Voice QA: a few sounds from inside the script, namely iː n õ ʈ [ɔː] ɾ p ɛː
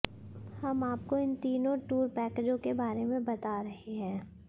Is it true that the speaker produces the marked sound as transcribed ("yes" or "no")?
no